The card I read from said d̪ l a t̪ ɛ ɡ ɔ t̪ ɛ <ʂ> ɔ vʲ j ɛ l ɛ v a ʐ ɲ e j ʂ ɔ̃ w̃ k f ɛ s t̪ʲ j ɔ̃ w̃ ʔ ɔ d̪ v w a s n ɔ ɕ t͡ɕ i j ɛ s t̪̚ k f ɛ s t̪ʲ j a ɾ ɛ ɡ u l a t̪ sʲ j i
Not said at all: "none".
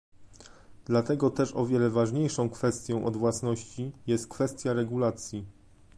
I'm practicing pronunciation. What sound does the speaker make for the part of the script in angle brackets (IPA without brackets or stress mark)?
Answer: ʂ